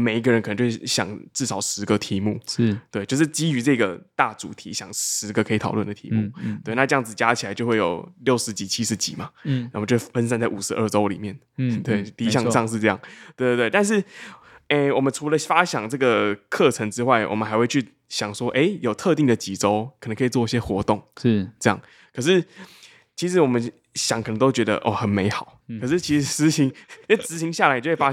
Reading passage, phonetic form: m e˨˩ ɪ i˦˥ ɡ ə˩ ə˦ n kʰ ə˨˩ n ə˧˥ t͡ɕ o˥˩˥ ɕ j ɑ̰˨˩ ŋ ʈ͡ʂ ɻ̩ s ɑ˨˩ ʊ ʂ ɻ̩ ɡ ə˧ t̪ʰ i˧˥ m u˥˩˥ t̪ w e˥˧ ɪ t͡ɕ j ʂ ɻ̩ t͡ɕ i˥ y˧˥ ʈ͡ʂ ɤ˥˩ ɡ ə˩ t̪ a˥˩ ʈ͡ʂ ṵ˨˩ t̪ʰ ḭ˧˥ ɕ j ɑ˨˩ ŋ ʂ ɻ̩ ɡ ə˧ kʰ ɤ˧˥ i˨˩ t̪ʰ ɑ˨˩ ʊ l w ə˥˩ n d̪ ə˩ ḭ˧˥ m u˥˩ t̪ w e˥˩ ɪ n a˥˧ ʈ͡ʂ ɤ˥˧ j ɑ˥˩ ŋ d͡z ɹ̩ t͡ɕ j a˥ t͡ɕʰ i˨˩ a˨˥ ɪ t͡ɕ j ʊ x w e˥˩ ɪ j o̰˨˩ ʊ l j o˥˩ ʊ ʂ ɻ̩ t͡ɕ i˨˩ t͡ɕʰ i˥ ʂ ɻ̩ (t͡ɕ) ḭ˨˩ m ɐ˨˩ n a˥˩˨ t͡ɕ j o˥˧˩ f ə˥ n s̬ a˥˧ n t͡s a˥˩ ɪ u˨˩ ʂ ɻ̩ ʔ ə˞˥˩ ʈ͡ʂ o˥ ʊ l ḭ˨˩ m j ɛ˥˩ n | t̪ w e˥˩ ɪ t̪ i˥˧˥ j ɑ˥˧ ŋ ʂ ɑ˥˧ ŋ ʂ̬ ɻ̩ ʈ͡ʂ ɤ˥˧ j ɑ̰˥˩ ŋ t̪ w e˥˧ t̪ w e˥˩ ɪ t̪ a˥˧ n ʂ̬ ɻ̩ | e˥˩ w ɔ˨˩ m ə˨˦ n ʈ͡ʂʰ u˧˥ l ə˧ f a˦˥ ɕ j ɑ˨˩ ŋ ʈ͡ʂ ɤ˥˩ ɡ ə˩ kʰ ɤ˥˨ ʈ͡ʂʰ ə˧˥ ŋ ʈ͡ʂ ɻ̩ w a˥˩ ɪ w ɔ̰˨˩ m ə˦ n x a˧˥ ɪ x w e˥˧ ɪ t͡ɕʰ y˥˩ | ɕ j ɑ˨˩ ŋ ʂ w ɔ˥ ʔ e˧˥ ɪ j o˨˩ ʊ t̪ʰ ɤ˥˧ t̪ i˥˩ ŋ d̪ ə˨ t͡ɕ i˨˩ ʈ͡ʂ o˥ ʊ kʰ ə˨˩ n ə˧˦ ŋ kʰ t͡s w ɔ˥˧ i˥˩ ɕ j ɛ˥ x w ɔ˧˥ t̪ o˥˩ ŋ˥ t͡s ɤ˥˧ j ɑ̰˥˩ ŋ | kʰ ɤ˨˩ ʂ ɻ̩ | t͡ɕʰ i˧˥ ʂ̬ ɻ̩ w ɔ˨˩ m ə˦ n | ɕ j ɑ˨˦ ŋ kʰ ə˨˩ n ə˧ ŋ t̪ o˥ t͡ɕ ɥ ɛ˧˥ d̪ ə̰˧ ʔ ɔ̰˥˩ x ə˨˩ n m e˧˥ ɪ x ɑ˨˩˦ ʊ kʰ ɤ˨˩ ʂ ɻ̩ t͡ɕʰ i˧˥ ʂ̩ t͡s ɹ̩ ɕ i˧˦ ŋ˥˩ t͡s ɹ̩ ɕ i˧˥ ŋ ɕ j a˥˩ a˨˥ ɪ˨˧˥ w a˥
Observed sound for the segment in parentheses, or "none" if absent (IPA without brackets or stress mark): t͡ɕ